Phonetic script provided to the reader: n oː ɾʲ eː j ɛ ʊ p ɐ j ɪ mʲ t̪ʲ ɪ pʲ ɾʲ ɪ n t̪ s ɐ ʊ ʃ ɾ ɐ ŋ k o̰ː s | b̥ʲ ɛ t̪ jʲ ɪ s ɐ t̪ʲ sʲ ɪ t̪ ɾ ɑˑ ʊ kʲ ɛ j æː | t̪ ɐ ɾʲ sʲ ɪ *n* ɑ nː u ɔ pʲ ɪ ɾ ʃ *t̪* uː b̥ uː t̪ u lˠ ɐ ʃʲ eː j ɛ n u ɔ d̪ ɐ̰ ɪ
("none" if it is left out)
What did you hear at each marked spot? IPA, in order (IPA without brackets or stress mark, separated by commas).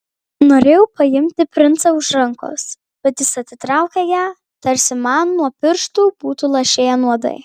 m, t̪